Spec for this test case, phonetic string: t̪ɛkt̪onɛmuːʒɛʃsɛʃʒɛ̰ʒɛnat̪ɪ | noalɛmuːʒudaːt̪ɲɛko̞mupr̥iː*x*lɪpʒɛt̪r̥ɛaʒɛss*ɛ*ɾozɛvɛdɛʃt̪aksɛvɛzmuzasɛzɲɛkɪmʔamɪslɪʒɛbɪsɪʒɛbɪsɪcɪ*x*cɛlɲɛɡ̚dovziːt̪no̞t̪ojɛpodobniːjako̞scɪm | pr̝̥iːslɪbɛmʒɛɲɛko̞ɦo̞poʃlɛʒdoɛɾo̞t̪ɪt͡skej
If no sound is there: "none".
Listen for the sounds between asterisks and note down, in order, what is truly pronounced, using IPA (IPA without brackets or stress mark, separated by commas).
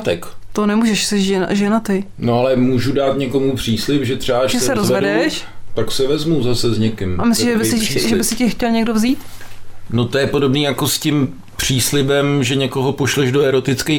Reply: s, ɛ, x